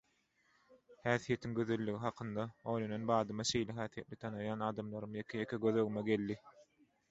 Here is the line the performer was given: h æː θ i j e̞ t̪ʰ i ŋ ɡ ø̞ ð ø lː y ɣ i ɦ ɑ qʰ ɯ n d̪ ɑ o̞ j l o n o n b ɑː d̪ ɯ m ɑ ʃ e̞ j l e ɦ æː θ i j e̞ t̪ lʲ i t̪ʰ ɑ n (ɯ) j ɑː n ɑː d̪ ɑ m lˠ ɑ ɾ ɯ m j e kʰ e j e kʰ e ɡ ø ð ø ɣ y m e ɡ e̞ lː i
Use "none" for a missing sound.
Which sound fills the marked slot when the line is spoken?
ɯ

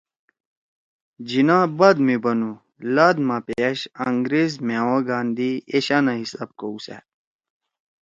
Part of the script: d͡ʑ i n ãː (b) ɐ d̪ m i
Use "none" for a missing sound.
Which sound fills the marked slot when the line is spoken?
b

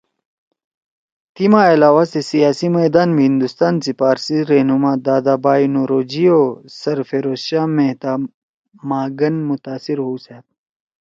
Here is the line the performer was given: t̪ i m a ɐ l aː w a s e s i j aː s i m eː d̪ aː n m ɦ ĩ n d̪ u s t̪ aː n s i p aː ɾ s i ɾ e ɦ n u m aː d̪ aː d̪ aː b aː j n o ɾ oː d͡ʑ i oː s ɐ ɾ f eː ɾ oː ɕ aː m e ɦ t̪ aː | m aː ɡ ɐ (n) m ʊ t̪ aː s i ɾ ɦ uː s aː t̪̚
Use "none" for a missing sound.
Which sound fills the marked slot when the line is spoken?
n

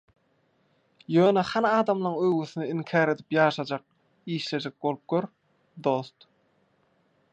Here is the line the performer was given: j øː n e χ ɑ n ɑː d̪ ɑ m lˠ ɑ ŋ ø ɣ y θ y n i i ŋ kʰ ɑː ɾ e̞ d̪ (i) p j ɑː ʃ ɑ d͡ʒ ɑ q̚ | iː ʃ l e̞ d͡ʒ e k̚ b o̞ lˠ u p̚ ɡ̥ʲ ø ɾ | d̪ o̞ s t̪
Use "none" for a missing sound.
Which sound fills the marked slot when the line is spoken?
i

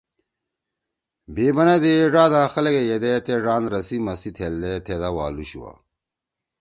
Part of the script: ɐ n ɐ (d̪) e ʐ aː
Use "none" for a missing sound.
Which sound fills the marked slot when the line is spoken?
d̪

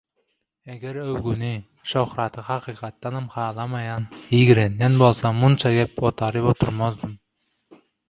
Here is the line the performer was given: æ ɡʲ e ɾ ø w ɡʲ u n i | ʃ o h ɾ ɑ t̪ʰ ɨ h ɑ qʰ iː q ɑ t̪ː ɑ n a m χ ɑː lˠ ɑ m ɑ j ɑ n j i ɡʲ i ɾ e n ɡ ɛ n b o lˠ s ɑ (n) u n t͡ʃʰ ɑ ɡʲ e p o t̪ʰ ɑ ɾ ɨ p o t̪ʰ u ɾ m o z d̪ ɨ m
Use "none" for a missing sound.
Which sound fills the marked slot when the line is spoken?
m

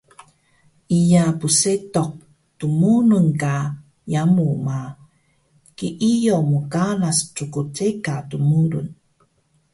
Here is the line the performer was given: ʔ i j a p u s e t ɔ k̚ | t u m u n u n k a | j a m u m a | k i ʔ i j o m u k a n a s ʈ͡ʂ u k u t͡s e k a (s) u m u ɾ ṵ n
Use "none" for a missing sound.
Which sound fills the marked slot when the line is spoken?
t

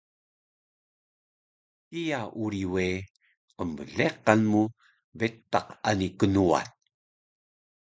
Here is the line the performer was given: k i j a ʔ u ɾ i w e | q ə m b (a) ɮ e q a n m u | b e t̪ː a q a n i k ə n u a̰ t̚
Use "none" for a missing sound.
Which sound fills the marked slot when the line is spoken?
ə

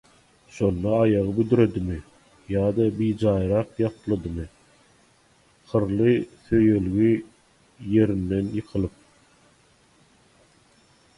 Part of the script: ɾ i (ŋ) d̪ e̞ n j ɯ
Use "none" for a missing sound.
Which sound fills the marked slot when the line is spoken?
n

